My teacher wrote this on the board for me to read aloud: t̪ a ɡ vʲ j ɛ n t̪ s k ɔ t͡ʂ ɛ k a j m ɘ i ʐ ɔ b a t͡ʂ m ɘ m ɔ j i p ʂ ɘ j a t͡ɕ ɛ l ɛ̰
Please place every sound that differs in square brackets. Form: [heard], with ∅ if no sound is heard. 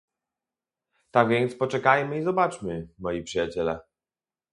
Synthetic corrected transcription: t̪ a ɡ vʲ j ɛ n t̪ s [p] ɔ t͡ʂ ɛ k a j m ɘ i [z] ɔ b a t͡ʂ m ɘ m ɔ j i p ʂ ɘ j a t͡ɕ ɛ l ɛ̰

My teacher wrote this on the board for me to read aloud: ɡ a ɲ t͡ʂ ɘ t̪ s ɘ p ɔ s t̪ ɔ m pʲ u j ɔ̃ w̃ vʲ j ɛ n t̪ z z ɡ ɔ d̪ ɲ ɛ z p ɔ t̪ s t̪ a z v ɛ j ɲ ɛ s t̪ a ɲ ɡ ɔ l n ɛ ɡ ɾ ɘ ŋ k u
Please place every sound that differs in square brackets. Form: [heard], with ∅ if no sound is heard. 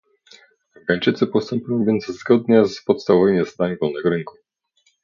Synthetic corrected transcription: ɡ a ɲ t͡ʂ ɘ t̪ s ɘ p ɔ s t̪ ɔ m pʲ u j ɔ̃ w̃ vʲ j ɛ n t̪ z z ɡ ɔ d̪ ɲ ɛ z p ɔ t̪ s t̪ a [v] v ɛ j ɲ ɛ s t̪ a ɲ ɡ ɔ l n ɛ ɡ ɾ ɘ ŋ k u

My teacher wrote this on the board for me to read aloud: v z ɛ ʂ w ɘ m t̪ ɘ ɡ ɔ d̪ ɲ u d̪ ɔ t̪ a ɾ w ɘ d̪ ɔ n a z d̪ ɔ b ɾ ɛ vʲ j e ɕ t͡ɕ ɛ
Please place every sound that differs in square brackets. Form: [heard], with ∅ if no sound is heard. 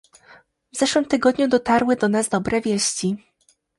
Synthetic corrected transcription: v z ɛ ʂ w ɘ m t̪ ɘ ɡ ɔ d̪ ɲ u d̪ ɔ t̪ a ɾ w ɘ d̪ ɔ n a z d̪ ɔ b ɾ ɛ vʲ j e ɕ t͡ɕ [i]

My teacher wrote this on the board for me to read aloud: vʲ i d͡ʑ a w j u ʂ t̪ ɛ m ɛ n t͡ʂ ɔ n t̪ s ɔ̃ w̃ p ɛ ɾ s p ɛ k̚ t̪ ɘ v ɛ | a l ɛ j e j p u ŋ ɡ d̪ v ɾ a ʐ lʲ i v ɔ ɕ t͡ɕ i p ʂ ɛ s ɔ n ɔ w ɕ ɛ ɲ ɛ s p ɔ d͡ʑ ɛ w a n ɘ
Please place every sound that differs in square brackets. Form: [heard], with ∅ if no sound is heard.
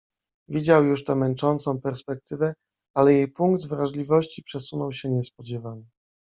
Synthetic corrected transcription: vʲ i d͡ʑ a w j u ʂ t̪ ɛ m ɛ n t͡ʂ ɔ n t̪ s ɔ̃ w̃ p ɛ ɾ s p ɛ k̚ t̪ ɘ v ɛ | a l ɛ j e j p u ŋ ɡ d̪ v ɾ a ʐ lʲ i v ɔ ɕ t͡ɕ i p ʂ ɛ s [u] n ɔ w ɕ ɛ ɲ ɛ s p ɔ d͡ʑ ɛ [v] a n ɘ

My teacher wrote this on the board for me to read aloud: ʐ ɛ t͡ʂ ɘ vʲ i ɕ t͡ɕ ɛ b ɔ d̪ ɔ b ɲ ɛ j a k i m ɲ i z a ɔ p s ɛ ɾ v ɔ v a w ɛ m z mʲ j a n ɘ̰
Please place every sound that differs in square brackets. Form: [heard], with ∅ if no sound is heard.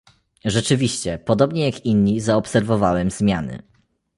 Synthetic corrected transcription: ʐ ɛ t͡ʂ ɘ vʲ i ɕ t͡ɕ ɛ [p] ɔ d̪ ɔ b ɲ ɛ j a k i [n] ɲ i z a ɔ p s ɛ ɾ v ɔ v a w ɛ m z mʲ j a n ɘ̰

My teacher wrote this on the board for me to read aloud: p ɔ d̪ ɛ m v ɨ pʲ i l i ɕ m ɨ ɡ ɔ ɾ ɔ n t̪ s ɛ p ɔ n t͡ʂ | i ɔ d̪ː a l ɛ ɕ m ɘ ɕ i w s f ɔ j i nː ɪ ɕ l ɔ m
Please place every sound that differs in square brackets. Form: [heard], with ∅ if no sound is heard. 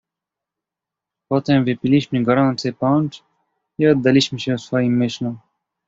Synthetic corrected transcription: p ɔ [t̪] ɛ m v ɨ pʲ i l i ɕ m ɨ ɡ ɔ ɾ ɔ n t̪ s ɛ p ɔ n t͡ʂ | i ɔ d̪ː a l [i] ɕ m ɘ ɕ [ɛ] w s f ɔ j i [mː] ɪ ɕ l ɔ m

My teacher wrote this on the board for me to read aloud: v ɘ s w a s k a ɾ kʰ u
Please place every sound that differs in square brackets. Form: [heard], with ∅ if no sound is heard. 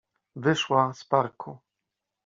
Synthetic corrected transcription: v ɘ [ʂ] w a s [p] a ɾ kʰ u

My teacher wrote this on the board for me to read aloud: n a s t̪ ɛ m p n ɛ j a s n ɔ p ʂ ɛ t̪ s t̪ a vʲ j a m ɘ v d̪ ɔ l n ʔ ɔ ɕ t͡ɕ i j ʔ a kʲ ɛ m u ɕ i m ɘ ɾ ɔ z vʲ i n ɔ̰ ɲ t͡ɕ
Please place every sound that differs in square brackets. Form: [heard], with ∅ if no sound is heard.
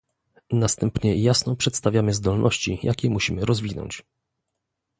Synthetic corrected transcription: n a s t̪ ɛ m p [ɲ] ɛ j a s n ɔ p ʂ ɛ t̪ s t̪ a vʲ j a m ɘ [z] d̪ ɔ l n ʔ ɔ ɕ t͡ɕ i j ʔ a kʲ ɛ m u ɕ i m ɘ ɾ ɔ z vʲ i n ɔ̰ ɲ t͡ɕ

